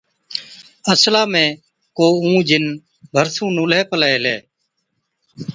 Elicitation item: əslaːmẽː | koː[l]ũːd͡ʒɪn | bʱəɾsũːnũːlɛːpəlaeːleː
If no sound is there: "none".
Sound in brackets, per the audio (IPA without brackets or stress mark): none